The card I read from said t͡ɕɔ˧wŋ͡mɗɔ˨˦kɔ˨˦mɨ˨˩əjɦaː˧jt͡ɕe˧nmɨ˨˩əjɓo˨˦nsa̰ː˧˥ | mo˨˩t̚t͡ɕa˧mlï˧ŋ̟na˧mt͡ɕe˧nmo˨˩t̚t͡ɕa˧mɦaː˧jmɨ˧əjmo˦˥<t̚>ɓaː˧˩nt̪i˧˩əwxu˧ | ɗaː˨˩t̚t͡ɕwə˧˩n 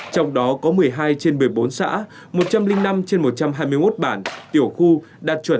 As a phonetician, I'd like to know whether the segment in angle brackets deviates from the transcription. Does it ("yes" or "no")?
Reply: no